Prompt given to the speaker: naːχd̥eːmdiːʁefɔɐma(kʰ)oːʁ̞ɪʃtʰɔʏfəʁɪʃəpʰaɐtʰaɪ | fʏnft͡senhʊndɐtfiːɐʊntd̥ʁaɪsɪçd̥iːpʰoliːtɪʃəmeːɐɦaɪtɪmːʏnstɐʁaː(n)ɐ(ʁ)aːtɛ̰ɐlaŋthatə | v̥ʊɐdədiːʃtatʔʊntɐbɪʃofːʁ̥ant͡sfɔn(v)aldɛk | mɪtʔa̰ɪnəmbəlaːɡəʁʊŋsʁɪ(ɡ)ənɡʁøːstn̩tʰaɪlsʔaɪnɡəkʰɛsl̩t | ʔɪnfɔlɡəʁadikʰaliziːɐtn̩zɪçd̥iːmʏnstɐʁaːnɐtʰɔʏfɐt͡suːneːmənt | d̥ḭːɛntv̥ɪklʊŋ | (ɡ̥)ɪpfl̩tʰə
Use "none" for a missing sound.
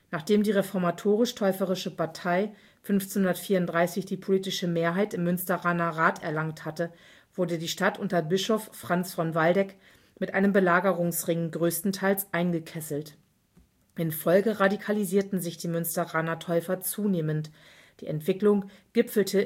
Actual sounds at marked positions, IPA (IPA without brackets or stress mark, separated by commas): tʰ, n, ʁ, v, ŋ, ɡ̥